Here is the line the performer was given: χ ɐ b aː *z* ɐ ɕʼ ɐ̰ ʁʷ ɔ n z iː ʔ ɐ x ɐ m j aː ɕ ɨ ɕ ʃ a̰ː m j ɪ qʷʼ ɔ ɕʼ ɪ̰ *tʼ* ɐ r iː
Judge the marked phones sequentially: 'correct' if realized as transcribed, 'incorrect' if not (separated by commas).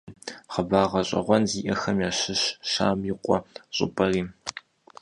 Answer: incorrect, incorrect